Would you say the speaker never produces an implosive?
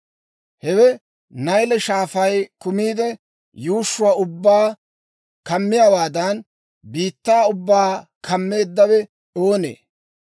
yes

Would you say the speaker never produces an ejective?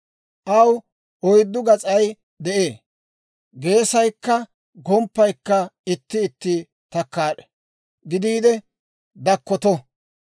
no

